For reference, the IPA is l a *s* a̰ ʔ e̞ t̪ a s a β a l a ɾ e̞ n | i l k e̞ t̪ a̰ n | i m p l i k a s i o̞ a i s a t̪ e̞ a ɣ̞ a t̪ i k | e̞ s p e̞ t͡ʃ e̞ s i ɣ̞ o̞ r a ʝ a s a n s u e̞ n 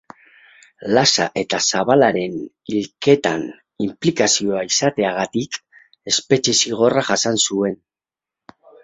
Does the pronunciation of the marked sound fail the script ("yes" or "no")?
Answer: no